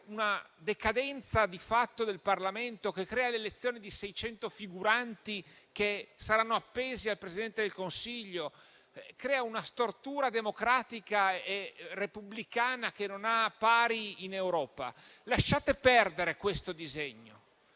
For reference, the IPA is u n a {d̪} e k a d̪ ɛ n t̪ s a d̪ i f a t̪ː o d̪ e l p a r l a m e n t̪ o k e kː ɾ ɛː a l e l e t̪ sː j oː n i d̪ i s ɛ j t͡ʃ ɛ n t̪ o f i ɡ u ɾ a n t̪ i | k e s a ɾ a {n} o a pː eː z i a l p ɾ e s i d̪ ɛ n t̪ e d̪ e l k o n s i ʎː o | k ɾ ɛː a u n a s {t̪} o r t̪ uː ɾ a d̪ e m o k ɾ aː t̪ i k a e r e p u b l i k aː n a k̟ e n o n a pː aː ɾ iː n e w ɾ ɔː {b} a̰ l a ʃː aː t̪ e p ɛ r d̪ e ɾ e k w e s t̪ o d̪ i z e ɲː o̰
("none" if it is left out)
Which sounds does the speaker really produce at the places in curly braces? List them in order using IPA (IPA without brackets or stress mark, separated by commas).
d̪, nː, t̪, p